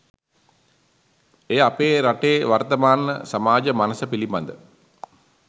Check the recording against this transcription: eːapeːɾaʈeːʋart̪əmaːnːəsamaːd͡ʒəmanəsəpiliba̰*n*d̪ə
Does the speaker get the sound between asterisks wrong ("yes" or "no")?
no